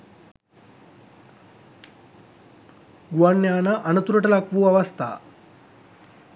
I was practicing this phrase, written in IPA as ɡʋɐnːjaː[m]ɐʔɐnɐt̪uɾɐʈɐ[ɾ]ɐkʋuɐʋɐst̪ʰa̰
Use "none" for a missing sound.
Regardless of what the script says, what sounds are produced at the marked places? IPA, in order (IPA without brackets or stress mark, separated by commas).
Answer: n, l